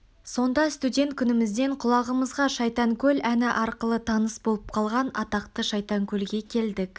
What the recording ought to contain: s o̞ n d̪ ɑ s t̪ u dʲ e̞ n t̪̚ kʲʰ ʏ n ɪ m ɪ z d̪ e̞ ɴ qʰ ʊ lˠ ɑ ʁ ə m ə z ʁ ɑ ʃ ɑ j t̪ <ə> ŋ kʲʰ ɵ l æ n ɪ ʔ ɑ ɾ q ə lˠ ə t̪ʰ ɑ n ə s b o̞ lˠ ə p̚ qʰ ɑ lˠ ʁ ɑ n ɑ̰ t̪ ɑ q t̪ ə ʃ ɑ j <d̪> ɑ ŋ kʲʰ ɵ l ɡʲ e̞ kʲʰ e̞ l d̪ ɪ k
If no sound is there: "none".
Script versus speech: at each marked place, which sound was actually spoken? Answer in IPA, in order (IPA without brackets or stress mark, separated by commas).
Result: ɑ, t̪